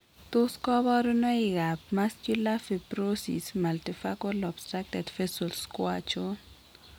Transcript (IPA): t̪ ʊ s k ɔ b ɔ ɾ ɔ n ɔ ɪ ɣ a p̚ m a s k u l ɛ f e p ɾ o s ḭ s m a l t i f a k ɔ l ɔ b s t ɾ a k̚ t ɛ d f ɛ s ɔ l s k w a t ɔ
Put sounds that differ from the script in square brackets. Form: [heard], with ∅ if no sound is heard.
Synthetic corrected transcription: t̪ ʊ s k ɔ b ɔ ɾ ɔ n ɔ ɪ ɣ a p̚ m a s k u l [a] f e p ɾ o s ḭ s m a l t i f a k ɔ l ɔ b s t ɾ a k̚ t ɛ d f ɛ s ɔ l s k w a [t͡ʃ] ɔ